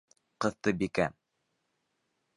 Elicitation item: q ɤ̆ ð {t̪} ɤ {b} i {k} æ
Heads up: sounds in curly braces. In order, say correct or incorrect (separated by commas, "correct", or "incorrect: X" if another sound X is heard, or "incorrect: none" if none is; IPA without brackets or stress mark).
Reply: correct, correct, correct